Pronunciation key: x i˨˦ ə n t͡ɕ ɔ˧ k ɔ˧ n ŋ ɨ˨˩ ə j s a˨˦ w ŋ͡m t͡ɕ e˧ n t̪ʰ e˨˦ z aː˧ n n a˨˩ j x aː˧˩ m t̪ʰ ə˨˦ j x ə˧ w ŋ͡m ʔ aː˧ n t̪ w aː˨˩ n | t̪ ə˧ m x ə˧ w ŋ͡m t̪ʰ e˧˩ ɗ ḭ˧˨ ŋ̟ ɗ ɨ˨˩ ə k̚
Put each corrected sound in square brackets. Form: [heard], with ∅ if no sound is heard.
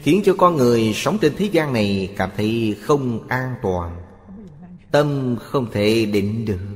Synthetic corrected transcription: x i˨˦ ə n t͡ɕ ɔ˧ k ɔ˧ n ŋ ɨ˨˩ ə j s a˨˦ w ŋ͡m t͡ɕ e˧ n t̪ʰ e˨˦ z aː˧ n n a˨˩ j [k] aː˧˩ m t̪ʰ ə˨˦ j x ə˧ w ŋ͡m ʔ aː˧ n t̪ w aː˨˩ n | t̪ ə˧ m x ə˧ w ŋ͡m t̪ʰ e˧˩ ɗ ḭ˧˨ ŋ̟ ɗ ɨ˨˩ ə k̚